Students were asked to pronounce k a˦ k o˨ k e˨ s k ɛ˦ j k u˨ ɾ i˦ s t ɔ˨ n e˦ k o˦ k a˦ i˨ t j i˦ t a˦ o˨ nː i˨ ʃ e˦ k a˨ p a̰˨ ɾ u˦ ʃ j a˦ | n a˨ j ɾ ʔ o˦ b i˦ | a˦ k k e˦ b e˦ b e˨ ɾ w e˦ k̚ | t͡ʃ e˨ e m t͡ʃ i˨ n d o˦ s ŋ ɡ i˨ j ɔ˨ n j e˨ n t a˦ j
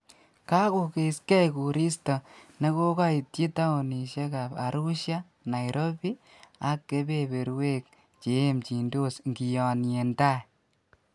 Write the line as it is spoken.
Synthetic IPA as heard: k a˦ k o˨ k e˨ s k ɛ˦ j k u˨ ɾ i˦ s t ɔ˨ n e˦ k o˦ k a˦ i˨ t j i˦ t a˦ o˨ n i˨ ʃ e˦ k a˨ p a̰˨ ɾ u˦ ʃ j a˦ | n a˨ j ɾ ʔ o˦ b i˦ | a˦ k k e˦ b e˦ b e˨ ɾ w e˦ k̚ | t͡ʃ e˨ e m t͡ʃ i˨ n d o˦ s ŋ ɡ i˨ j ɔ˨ n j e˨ n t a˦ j

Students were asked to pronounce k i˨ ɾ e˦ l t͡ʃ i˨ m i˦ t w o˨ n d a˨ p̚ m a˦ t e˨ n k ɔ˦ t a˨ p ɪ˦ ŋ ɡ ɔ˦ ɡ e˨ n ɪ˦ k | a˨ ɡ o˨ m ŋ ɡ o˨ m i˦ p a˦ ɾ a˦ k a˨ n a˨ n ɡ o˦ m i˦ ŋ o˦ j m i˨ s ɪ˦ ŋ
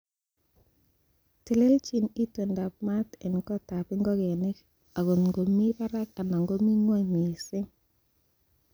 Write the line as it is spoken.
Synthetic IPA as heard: t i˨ l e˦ l t͡ʃ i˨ n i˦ t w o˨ n d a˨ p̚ m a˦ t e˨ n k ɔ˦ t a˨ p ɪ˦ ŋ ɡ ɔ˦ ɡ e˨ n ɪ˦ k | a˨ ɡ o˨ n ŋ ɡ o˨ m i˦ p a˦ ɾ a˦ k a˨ n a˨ ŋ ɡ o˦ m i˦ ŋ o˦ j m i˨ s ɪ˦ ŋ

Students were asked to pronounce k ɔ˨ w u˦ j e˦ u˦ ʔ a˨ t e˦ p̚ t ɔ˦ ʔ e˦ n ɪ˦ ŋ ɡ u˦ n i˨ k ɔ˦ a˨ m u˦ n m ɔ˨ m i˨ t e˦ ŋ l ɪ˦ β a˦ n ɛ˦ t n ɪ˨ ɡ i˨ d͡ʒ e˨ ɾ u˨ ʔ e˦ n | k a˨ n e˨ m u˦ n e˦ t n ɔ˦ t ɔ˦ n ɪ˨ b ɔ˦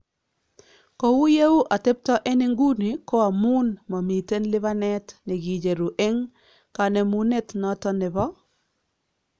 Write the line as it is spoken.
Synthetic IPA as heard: k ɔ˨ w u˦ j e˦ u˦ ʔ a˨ t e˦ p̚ t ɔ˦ ʔ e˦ n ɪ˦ ŋ ɡ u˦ n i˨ k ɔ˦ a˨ m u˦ n m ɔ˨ m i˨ t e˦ n l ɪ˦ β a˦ n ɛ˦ t n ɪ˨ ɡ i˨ d͡ʒ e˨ ɾ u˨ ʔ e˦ ŋ | k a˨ n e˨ m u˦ n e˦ t n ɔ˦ t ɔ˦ n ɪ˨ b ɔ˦

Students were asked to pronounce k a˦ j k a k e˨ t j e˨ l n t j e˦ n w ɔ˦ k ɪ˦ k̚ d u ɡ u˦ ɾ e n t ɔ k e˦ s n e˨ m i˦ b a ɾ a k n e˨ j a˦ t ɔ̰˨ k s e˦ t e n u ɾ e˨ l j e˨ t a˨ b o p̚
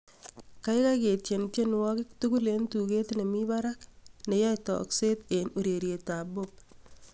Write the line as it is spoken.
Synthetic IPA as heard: k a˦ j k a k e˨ t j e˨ n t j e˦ n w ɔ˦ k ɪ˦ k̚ t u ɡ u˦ l e n t u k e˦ t n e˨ m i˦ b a ɾ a k n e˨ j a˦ t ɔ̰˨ k s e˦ t e n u ɾ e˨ ɾ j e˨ t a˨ b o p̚

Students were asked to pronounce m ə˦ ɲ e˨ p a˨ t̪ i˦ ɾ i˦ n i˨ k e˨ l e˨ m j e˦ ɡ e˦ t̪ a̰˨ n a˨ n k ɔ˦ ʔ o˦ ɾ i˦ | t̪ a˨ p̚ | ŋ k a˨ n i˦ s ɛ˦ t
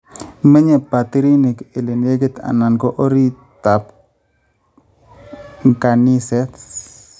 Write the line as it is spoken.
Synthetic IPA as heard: m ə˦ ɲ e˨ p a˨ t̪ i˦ ɾ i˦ n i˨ k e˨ l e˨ n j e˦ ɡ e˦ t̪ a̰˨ n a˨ n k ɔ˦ ʔ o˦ ɾ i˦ | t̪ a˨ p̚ | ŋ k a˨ n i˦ s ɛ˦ t

